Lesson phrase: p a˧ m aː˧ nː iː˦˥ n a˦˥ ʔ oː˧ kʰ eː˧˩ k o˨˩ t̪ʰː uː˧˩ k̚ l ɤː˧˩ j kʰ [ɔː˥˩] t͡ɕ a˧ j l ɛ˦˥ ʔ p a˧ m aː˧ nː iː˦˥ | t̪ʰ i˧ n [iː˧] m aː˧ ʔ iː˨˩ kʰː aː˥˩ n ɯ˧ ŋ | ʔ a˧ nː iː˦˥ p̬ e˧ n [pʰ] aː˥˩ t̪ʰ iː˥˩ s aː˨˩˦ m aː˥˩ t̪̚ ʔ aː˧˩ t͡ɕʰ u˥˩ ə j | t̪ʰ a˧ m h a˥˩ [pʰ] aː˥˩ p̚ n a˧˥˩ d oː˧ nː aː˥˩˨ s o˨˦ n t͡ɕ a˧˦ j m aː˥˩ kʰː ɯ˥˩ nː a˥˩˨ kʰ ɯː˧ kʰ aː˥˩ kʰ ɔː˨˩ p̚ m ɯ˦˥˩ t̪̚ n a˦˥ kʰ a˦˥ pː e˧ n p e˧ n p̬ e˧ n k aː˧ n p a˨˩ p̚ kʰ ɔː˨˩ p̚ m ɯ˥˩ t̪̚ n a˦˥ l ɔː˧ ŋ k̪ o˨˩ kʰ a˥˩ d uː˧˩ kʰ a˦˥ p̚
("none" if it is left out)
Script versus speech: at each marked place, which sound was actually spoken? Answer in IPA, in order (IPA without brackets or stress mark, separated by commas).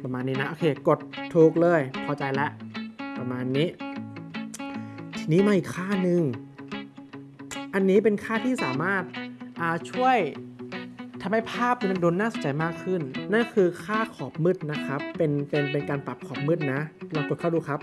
ɔː˧, iː˦˥˩, kʰ, pʰ